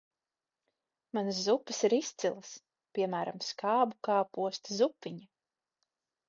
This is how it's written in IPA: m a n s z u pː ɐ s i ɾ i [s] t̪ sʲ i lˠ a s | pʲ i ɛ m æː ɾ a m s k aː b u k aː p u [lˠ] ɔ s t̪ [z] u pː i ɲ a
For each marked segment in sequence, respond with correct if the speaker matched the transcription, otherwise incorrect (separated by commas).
correct, incorrect, correct